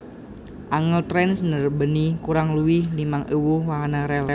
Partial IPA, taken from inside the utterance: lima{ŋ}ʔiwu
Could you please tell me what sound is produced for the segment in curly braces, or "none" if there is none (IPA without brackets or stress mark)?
ŋ